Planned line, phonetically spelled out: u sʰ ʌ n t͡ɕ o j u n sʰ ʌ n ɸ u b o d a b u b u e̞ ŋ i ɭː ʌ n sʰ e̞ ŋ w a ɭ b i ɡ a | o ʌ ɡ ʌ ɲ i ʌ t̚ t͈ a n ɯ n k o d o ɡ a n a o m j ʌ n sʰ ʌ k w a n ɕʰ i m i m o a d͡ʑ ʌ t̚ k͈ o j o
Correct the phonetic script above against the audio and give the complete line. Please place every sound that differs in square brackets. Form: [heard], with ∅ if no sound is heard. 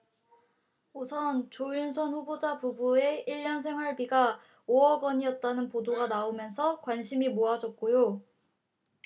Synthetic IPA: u sʰ ʌ n t͡ɕ o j u n sʰ ʌ n ɸ u b o [d͡ʑ] a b u b u e̞ [∅] i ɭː ʌ n sʰ e̞ ŋ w a ɭ b i ɡ a | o ʌ ɡ ʌ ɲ i ʌ t̚ t͈ a n ɯ n [p] o d o ɡ a n a o m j ʌ n sʰ ʌ k w a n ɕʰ i m i m o a d͡ʑ ʌ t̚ k͈ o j o